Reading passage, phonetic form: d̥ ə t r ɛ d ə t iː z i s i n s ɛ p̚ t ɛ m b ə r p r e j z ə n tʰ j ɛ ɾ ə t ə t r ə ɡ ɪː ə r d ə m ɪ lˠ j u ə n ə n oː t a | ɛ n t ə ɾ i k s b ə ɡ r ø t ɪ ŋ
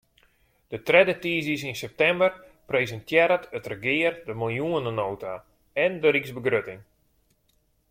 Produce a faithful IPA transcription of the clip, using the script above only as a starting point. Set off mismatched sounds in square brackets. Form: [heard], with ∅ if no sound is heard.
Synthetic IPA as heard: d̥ ə t r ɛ d ə t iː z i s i n s ɛ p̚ t ɛ m b ə r p r e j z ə n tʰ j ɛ ɾ ə t ə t r ə ɡ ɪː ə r d ə m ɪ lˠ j u ə n ə n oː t a | ɛ n [d] ə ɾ i k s b ə ɡ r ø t ɪ ŋ

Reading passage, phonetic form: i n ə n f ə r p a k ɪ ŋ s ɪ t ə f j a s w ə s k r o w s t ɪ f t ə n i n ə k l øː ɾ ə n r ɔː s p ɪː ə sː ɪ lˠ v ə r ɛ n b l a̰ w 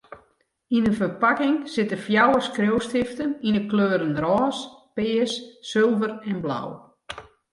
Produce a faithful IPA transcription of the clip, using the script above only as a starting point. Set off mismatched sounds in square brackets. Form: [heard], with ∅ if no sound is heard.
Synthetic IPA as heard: i n ə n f ə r p a k ɪ ŋ s ɪ t ə f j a [∅] w ə s k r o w s t ɪ f t ə n i n ə k l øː ɾ ə n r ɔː s p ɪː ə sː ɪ lˠ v ə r ɛ n b l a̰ w

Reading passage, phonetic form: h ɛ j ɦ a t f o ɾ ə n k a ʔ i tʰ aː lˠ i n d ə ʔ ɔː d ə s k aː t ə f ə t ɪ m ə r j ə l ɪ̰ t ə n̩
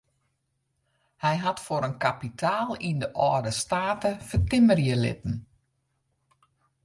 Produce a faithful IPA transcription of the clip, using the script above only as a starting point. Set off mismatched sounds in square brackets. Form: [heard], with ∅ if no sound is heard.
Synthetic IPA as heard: h ɛ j ɦ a t f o ɾ ə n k a [p] i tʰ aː lˠ i n d ə ʔ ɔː d ə s [t] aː t ə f ə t ɪ m ə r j ə l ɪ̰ t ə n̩

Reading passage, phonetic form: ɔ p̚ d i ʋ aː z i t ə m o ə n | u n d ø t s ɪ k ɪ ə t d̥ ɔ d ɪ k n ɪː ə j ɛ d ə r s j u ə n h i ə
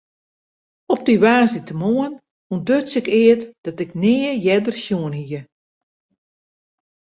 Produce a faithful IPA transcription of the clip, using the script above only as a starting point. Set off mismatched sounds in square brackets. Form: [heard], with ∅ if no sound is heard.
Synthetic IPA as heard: ɔ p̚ d i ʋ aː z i t ə m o ə n | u n d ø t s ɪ k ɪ ə t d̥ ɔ [t] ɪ k n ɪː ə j ɛ d ə r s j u ə n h i ə

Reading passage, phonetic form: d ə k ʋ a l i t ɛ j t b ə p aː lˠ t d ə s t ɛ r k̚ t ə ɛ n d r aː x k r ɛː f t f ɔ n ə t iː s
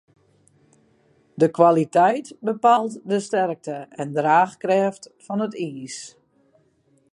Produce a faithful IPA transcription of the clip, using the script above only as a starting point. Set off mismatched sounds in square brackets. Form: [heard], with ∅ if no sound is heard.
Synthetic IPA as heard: d ə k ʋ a l i t ɛ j t b ə p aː lˠ t d ə s t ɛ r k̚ t ə ɛ n d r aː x k r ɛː f t f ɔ n ə t iː s

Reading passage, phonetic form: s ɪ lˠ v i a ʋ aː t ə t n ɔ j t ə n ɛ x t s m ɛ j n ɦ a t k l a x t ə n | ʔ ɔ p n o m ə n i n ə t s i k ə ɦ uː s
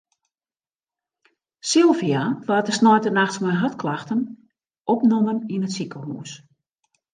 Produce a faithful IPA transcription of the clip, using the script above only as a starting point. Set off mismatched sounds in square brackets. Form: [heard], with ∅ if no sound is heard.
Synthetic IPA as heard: s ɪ lˠ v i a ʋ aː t ə [s] n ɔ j t ə n [a] x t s m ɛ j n ɦ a t k l a x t ə n | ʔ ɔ p n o m ə n i n ə t s i k ə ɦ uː s

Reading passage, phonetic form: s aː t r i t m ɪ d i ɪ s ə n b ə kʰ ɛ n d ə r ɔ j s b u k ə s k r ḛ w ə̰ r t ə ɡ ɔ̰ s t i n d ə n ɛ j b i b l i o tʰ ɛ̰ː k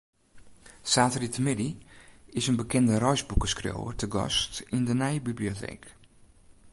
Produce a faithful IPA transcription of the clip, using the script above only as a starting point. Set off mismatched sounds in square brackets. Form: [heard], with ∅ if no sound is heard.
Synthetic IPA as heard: s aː t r i t m ɪ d i ɪ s ə n b ə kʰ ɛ n d ə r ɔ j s b u k ə s k r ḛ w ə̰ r t ə ɡ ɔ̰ s t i n d ə n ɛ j b i b l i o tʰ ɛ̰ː k

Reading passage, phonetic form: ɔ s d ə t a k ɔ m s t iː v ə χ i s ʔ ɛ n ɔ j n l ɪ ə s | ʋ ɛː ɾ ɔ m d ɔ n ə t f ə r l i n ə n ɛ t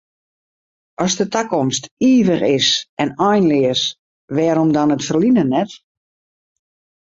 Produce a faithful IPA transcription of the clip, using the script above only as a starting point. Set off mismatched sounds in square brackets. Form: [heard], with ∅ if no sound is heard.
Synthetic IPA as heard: ɔ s d ə t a k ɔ m s t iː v ə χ [ɪ] s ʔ ɛ n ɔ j n l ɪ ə s | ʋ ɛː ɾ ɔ m d ɔ n ə t f ə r l i n ə n ɛ t

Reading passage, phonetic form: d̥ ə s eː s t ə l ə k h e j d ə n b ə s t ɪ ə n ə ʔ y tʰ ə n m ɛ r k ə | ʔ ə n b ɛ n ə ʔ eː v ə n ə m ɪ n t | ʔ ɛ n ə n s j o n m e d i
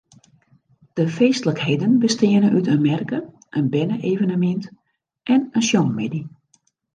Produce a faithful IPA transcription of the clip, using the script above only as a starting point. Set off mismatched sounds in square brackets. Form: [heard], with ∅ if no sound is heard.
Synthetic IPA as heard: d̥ ə [f] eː s t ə l ə k h e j d ə n b ə s t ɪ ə n ə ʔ y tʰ ə n m ɛ r k ə | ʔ ə n b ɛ n ə ʔ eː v ə n ə m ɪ n t | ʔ ɛ n ə n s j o n m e d i

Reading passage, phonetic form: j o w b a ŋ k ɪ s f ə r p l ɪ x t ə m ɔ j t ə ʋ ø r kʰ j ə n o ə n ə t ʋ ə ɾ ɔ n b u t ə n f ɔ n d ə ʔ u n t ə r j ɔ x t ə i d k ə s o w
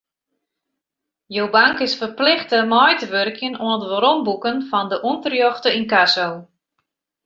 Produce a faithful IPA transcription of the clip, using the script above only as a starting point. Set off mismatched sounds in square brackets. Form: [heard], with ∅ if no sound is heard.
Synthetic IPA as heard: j o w b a ŋ k ɪ s f ə r p l ɪ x t ə m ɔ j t ə ʋ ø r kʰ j ə n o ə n ə t ʋ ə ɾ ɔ [m] b u [k] ə n f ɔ n d ə ʔ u n t ə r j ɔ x t ə i [n] k [a] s o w

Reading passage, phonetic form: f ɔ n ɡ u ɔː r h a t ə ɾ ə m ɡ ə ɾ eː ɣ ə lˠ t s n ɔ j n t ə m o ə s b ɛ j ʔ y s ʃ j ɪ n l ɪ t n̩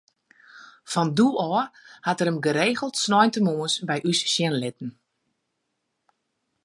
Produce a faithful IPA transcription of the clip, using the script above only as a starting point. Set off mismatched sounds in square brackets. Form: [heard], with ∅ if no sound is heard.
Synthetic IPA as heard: f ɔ n [d] u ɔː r h a t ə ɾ ə m ɡ ə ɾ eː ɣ ə lˠ t s n ɔ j n t ə m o ə s b ɛ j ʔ y s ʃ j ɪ n l ɪ t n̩

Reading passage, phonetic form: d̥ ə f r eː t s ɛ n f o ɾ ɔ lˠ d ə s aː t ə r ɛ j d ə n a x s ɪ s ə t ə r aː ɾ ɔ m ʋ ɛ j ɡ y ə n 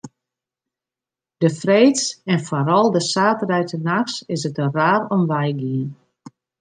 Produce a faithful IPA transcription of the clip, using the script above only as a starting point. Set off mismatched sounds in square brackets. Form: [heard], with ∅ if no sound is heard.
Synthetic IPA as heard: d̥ ə f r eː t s ɛ n f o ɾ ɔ lˠ d ə s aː t ə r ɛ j [t] ə n a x s ɪ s ə t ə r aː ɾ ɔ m ʋ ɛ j ɡ [i] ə n

